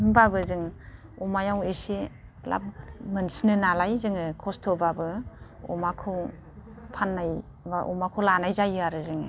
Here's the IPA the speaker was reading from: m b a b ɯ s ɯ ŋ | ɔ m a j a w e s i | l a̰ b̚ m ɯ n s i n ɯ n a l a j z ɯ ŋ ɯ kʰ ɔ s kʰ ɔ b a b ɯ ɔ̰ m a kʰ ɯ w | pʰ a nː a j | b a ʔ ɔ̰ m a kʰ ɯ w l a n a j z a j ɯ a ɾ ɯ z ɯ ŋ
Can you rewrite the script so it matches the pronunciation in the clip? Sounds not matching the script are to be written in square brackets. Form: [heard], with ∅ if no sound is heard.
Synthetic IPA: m b a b ɯ [z] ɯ ŋ | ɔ m a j a w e s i | l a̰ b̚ m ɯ n s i n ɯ n a l a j z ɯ ŋ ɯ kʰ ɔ s [tʰ] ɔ b a b ɯ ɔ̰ m a kʰ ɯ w | pʰ a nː a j | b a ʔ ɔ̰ m a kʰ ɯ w l a n a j z a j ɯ a ɾ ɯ z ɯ ŋ

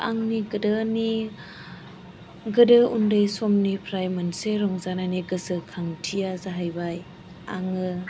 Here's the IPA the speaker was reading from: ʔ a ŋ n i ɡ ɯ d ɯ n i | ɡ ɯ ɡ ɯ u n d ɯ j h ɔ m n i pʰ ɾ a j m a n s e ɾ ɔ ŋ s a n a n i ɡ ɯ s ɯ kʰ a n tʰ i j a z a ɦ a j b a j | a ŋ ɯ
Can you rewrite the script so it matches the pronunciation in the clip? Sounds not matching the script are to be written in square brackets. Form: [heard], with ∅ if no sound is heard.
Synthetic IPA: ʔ a ŋ n i ɡ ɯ d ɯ n i | ɡ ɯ [d] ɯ u n d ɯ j [s] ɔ m n i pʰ ɾ a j m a n s e ɾ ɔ ŋ [z] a n a n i ɡ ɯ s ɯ kʰ a [ŋ] tʰ i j a z a ɦ a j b a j | a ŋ ɯ

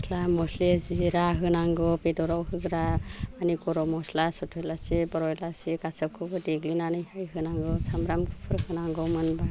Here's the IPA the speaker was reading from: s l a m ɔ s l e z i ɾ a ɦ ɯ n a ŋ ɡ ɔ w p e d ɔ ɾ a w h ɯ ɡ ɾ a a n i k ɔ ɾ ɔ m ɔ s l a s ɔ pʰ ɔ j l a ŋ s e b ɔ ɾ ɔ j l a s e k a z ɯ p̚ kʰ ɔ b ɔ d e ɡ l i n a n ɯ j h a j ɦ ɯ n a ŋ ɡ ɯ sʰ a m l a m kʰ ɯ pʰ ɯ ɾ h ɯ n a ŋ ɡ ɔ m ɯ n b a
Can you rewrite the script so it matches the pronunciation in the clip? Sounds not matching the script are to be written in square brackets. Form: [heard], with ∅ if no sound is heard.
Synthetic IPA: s l a m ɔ s l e z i ɾ a ɦ ɯ n a ŋ ɡ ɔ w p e d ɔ ɾ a w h ɯ ɡ ɾ a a n i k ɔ ɾ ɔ m ɔ s l a s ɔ [tʰ] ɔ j l a [∅] s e b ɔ ɾ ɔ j l a s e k a [s] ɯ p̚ kʰ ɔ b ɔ d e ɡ l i n a n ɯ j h a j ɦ ɯ n a ŋ ɡ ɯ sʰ a m [ɾ] a m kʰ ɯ pʰ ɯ ɾ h ɯ n a ŋ ɡ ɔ m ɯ n b a

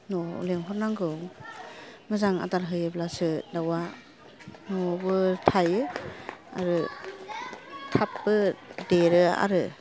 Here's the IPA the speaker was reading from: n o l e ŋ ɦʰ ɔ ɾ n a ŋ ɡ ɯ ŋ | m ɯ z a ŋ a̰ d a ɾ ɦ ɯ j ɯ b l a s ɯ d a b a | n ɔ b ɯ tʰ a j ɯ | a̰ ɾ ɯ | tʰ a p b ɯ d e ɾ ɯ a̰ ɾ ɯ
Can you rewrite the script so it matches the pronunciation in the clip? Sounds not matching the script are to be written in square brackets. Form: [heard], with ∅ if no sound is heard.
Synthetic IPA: n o l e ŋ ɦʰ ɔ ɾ n a ŋ ɡ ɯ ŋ | m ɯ z a ŋ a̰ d a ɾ ɦ ɯ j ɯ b l a s ɯ d a [w] a | n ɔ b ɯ tʰ a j ɯ | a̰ ɾ ɯ | tʰ a p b ɯ d e ɾ ɯ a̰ ɾ ɯ

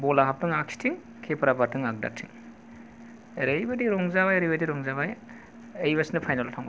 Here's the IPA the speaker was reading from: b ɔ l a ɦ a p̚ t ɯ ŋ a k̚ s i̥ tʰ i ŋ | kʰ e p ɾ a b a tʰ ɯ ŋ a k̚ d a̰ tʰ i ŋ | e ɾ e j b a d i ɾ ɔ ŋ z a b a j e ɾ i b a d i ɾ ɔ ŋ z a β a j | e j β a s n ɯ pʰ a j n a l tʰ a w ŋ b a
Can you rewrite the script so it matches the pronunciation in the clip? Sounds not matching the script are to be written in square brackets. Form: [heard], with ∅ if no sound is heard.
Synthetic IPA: b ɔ l a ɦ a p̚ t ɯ ŋ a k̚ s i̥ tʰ i ŋ | kʰ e p ɾ a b a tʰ ɯ ŋ a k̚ d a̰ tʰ i ŋ | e ɾ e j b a d i ɾ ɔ ŋ z a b a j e ɾ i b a d i ɾ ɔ ŋ z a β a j | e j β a s n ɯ pʰ a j n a l tʰ a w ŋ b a

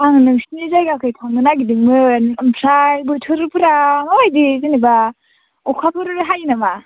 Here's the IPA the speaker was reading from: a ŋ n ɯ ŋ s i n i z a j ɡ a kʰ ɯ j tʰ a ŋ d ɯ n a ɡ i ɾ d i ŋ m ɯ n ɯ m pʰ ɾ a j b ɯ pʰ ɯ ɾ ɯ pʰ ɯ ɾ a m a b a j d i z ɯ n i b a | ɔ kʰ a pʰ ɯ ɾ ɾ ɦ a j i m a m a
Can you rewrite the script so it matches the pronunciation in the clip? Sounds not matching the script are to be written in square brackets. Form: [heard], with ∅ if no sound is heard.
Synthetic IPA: a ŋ n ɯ ŋ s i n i z a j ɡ a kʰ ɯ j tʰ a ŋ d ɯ n a ɡ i [∅] d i ŋ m ɯ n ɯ m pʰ ɾ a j b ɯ [tʰ] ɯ ɾ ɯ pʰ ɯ ɾ a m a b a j d i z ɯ n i b a | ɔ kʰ a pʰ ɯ ɾ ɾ ɦ a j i [n] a m a

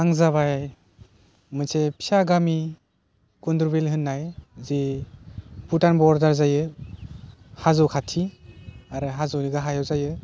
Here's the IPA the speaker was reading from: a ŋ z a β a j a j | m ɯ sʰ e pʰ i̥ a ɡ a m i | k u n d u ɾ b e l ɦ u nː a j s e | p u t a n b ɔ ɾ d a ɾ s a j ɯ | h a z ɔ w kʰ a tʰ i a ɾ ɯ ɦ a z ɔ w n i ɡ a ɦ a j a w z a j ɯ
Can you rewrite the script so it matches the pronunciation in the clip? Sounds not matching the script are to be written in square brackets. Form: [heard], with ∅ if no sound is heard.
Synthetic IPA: a ŋ z a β a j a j | m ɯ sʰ e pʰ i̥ a ɡ a m i | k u n d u ɾ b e l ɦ [ɯ] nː a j [z] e | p u t a n b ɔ ɾ d a ɾ [z] a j ɯ | h a z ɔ w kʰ a tʰ i a ɾ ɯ ɦ a z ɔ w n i ɡ a ɦ a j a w z a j ɯ

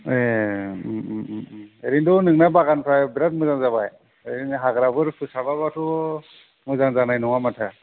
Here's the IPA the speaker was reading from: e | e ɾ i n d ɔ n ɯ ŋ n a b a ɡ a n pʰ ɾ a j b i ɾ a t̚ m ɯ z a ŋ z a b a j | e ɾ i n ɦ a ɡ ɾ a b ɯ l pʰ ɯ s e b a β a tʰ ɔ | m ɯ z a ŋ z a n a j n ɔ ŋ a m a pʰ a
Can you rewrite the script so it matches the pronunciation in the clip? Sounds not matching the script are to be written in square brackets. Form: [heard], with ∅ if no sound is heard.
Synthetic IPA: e | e ɾ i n d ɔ n ɯ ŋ n a b a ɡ a n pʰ ɾ a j b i ɾ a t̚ m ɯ z a ŋ z a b a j | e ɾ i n ɦ a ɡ ɾ a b ɯ [ɾ] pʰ ɯ s [a] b a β a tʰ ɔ | m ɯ z a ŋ z a n a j n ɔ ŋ a m a [tʰ] a

